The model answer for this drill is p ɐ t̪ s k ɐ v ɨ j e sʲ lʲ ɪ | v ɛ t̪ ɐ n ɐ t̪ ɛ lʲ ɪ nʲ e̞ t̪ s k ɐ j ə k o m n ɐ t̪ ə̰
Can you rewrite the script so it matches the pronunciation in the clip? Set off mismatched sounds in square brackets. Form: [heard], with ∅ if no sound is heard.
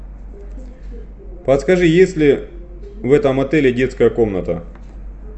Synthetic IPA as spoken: p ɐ t̪ s k ɐ [ʐ] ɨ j e sʲ lʲ ɪ | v ɛ t̪ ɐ [m] ɐ t̪ ɛ lʲ ɪ [dʲ] e̞ t̪ s k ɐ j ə k o m n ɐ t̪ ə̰